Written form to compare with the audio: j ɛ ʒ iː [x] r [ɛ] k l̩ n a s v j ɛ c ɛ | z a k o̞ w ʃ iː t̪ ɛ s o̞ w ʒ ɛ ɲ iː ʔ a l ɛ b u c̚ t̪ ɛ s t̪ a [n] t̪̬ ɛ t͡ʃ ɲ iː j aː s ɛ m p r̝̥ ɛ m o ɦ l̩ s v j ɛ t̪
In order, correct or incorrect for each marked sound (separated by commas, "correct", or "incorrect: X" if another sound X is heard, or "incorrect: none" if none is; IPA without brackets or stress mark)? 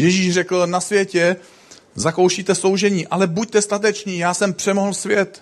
incorrect: ʃ, correct, incorrect: none